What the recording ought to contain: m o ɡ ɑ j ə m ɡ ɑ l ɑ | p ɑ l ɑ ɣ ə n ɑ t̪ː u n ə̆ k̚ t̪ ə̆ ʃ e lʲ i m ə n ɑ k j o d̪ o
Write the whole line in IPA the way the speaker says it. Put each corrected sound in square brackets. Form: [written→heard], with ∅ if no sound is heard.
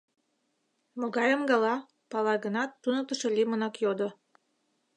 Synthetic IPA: m o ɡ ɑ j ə m ɡ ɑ l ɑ | p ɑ l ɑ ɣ ə n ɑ t̪ː u n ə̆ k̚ t̪ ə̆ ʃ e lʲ i m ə n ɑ k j o d̪ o

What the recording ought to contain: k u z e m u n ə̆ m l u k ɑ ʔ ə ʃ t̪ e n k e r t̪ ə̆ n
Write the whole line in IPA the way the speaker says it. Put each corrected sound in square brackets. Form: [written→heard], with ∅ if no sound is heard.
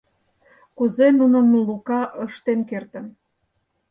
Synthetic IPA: k u z e [m→n] u n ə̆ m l u k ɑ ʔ ə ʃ t̪ e n k e r t̪ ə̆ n

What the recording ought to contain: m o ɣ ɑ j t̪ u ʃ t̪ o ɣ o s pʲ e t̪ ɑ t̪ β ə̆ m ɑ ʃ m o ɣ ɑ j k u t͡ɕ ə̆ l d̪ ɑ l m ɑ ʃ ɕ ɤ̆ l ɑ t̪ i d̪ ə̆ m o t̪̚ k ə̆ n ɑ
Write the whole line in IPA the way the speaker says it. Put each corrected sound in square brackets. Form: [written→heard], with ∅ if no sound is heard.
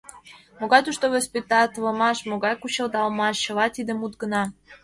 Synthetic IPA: m o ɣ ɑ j t̪ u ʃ t̪ o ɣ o s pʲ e t̪ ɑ t̪ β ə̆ m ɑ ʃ m o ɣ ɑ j k u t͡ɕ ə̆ l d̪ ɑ l m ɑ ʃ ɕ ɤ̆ l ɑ t̪ i d̪ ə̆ m [o→u] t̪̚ [k→ɡ] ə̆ n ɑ

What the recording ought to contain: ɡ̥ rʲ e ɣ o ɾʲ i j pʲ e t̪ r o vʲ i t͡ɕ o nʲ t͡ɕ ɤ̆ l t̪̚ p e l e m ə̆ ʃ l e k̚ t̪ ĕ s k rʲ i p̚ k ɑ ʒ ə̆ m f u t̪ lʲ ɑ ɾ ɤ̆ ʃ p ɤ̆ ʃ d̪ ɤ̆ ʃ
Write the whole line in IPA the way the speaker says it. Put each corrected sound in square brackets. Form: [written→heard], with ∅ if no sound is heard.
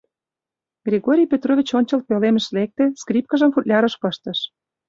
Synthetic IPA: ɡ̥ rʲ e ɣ o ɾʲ i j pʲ e t̪ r o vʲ i t͡ɕ o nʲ t͡ɕ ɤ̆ l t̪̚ p e l e m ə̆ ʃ l e k̚ t̪ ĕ s k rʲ i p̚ k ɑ ʒ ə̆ m f u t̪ lʲ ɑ ɾ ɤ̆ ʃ p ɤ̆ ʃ [d̪→t̪] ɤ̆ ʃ

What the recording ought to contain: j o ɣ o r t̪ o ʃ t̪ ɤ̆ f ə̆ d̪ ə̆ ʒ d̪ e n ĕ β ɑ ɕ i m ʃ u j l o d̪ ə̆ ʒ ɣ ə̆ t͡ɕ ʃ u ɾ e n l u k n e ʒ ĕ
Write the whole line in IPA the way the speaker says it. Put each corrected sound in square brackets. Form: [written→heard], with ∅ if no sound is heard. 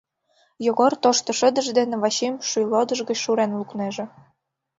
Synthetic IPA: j o ɣ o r t̪ o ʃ t̪ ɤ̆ [f→ʃ] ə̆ d̪ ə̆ ʒ d̪ e n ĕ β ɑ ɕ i m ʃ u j l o d̪ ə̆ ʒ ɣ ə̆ t͡ɕ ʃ u ɾ e n l u k n e ʒ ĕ

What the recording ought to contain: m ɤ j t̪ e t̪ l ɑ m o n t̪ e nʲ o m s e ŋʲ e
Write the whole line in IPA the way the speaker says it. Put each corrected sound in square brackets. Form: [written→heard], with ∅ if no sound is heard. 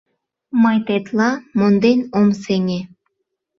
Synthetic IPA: m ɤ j t̪ e t̪ l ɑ m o n [t̪→d̪] e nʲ o m s e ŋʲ e

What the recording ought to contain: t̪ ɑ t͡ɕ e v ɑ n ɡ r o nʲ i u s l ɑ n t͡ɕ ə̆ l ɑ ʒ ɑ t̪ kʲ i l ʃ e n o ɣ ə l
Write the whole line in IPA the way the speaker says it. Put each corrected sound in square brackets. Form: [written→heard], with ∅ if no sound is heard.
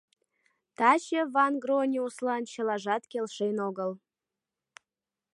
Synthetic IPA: t̪ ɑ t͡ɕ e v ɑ n ɡ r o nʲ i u s l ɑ n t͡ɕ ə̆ l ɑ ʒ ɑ t̪ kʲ [i→e] l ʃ e n o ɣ ə l

